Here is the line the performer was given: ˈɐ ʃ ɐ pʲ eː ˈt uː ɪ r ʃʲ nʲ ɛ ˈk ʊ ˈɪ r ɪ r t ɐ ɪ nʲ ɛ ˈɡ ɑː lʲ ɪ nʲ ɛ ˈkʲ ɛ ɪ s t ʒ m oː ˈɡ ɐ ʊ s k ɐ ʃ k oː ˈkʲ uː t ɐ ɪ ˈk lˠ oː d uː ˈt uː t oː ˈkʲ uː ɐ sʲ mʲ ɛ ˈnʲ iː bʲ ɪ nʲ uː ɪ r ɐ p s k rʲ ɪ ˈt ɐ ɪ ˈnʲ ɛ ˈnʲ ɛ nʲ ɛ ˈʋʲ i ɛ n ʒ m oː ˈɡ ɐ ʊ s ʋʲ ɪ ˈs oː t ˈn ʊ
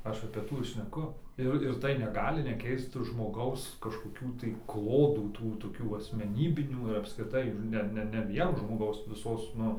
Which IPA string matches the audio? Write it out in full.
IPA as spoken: ˈɐ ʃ ɐ pʲ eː ˈt uː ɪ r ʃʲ nʲ ɛ ˈk ʊ ˈɪ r ɪ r t ɐ ɪ nʲ ɛ ˈɡ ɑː lʲ ɪ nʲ ɛ ˈkʲ ɛ ɪ s t ʒ m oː ˈɡ ɐ ʊ s k ɐ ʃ k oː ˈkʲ uː t ɐ ɪ ˈk lˠ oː d uː ˈt uː t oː ˈkʲ uː ɐ sʲ mʲ ɛ ˈnʲ iː bʲ ɪ nʲ uː ɪ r ɐ p s k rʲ ɪ ˈt ɐ ɪ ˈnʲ ɛ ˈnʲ ɛ nʲ ɛ ˈʋʲ i ɛ n ʒ m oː ˈɡ ɐ ʊ s ʋʲ ɪ ˈs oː s ˈn ʊ